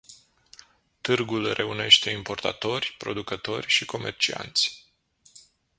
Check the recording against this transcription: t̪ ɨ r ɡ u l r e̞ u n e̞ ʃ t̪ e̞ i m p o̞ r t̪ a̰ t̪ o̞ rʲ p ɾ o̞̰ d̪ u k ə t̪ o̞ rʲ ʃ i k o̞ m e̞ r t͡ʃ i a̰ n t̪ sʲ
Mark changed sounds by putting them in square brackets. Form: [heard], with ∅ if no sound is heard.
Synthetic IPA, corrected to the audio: t̪ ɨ r ɡ u l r e̞ u n e̞ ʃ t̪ e̞ i m p o̞ r t̪ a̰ t̪ o̞ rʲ p ɾ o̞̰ d̪ u k ə t̪ o̞ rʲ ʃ i k o̞ m e̞ r t͡ʃ i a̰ n t̪ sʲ